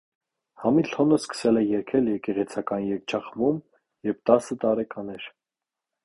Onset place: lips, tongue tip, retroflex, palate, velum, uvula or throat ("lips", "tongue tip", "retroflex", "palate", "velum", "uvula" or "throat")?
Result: throat